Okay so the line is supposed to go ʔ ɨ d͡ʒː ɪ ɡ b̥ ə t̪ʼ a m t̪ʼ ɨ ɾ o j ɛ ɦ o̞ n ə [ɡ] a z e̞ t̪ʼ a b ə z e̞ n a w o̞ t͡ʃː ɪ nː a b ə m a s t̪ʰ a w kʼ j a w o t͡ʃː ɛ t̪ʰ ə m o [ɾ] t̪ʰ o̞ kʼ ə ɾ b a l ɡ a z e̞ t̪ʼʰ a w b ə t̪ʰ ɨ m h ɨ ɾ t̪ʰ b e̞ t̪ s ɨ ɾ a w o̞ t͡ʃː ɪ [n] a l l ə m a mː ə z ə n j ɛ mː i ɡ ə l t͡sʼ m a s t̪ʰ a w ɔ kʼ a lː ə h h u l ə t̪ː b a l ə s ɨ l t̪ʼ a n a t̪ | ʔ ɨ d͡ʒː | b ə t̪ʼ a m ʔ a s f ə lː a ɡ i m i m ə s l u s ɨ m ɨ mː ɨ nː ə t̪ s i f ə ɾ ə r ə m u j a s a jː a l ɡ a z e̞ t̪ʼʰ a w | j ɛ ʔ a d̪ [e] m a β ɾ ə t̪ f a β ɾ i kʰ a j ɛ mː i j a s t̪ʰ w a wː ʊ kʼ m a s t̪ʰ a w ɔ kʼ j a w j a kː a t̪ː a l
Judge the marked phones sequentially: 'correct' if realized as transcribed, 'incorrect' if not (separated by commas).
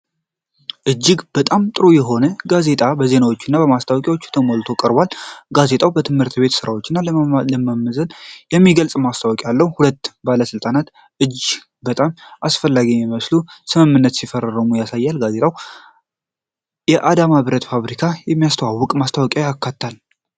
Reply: correct, incorrect, incorrect, incorrect